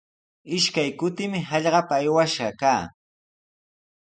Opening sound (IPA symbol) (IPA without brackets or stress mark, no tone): ɪ